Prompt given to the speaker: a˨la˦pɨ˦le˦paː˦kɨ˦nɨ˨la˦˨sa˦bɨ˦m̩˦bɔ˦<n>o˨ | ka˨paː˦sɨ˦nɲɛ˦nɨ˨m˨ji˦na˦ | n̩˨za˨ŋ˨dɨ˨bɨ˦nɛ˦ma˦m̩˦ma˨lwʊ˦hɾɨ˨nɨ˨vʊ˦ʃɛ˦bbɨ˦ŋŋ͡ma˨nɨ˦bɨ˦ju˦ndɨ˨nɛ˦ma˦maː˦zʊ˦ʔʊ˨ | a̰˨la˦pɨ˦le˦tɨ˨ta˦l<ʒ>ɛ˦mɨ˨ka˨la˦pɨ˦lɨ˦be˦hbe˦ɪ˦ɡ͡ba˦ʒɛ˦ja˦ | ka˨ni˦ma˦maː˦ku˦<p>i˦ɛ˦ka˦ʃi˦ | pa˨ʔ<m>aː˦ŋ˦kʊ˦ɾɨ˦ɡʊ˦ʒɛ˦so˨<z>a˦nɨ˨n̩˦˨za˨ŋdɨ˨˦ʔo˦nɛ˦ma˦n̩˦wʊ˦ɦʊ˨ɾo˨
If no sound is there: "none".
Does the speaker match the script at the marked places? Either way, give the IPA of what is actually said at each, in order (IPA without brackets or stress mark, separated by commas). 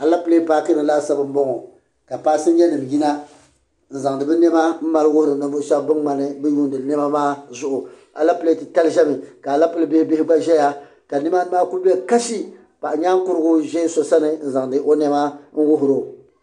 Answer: ŋ, ʒ, b, ɲ, s